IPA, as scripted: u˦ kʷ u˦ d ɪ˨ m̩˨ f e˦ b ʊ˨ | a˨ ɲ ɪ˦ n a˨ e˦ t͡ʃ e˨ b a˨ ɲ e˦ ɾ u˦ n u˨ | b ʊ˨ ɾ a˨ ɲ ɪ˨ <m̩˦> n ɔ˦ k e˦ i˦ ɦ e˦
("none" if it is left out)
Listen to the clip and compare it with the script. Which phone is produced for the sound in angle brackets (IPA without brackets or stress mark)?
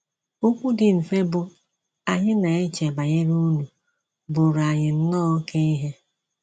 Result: n̩˦